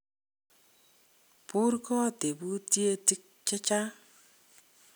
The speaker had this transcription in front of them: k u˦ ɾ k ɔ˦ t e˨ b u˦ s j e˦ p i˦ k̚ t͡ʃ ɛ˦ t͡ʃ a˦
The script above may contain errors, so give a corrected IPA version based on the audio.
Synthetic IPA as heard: p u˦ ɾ k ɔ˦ t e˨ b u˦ t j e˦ t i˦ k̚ t͡ʃ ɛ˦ t͡ʃ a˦